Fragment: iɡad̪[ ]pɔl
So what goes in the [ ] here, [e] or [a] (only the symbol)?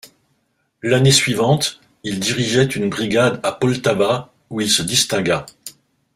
a